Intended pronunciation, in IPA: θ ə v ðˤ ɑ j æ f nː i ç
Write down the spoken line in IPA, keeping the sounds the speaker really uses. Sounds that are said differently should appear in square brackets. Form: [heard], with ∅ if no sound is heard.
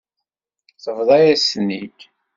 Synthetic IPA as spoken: θ ə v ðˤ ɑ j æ [s] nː i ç